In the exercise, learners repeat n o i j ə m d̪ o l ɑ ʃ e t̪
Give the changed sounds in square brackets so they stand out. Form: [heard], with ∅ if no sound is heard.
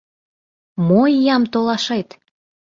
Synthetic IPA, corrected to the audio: [m] o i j [ɑ] m [t̪] o l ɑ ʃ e t̪

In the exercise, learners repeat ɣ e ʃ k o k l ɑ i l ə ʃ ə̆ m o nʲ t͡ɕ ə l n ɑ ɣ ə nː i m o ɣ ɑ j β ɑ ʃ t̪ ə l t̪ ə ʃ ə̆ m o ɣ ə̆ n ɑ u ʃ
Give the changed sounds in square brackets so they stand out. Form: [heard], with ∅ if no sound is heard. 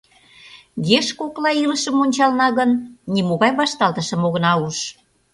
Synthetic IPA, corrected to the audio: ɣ e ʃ k o k l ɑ i l ə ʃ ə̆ m o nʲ t͡ɕ [ɑ] l n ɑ ɣ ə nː i m o ɣ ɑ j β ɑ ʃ t̪ [ɑ] l t̪ ə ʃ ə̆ m o ɣ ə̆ n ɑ u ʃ

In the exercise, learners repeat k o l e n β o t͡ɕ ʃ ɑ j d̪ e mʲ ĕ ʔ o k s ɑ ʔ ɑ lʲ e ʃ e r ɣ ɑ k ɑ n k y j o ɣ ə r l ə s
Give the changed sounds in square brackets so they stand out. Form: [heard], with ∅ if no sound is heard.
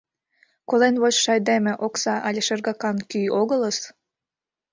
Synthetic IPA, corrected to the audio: k o l e n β o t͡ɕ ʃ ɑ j d̪ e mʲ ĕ ʔ o k s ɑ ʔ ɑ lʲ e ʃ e r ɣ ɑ k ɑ n k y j o ɣ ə [∅] l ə s

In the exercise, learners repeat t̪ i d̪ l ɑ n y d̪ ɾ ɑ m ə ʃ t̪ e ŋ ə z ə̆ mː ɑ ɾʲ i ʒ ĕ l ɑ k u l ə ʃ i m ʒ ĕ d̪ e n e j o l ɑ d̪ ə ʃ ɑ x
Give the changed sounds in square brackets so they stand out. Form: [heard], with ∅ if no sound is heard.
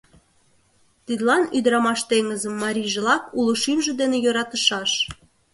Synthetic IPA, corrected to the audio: t̪ i d̪ l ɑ n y d̪ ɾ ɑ m [ɑ] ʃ t̪ e ŋ ə z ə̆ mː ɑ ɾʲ i ʒ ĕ l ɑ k u l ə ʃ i m ʒ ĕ d̪ e n e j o [ɾ] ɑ [t̪] ə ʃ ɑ [ʃ]

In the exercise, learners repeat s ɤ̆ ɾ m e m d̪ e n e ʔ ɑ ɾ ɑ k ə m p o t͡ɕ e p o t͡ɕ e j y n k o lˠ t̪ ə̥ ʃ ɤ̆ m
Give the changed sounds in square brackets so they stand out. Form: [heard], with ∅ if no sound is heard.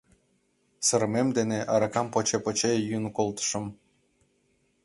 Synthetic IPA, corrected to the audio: s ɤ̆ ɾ m e m d̪ e n e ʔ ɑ ɾ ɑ k [ɑ] m p o t͡ɕ e p o t͡ɕ e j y n k o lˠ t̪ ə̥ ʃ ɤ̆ m

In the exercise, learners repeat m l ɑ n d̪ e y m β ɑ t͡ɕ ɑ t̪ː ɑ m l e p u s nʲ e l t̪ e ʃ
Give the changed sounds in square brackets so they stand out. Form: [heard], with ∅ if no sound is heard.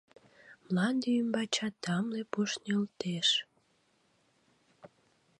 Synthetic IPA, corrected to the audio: m l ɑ n d̪ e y m [b] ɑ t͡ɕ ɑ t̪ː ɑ m l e p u [ʃ] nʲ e l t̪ e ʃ

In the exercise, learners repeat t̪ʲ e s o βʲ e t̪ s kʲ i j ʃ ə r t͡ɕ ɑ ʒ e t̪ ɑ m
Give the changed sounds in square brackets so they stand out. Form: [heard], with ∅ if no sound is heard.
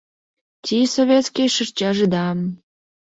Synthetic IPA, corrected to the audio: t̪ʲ [i] s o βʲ e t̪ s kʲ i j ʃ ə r t͡ɕ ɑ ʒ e [d̪] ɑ m

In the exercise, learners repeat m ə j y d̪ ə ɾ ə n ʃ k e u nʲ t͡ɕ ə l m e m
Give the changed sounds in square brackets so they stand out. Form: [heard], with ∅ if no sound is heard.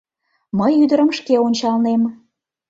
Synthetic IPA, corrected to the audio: m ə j y d̪ ə ɾ ə [m] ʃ k e [o] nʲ t͡ɕ [ɑ] l [n] e m

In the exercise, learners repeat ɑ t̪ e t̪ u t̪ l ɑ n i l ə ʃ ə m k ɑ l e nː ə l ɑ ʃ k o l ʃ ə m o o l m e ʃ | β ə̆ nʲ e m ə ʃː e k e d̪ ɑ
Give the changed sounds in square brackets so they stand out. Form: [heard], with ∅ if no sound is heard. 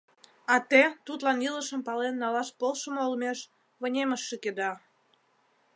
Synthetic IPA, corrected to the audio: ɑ t̪ e t̪ u t̪ l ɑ n i l ə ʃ ə m [p] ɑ l e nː [ɑ] l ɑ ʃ [p] o l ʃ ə m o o l m e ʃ | β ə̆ nʲ e m ə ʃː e k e d̪ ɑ

